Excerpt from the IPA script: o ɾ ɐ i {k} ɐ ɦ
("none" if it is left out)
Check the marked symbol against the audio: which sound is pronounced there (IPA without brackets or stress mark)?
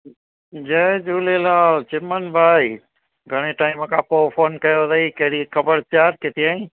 k